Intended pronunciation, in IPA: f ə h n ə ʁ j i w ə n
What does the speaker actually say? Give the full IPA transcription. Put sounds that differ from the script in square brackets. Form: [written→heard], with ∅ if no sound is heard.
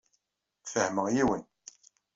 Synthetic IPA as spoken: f ə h [n→m] ə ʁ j i w ə n